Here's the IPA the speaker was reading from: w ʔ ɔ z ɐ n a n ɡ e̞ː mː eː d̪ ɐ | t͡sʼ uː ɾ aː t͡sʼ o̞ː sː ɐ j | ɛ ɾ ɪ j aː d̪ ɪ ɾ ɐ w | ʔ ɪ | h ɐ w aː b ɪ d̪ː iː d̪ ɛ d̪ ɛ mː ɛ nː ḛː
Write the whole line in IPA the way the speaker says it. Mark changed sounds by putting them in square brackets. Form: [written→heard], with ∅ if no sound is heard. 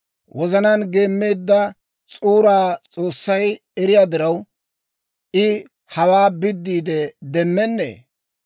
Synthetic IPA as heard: w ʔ ɔ z ɐ n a n ɡ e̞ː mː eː [d̪→d̪ː] ɐ | t͡sʼ uː ɾ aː t͡sʼ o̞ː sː ɐ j | ɛ ɾ ɪ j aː d̪ ɪ ɾ ɐ w | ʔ ɪ | h ɐ w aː b ɪ d̪ː iː d̪ ɛ d̪ ɛ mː ɛ nː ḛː